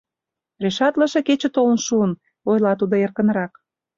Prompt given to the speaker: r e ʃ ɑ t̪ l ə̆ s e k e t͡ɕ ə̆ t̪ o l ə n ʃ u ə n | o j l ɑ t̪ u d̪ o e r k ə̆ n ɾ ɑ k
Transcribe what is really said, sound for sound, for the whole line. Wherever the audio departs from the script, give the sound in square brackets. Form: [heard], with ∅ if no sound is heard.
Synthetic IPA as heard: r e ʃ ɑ t̪ l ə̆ [ʃ] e k e t͡ɕ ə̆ t̪ o l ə n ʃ u ə n | o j l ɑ t̪ u d̪ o e r k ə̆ n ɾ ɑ k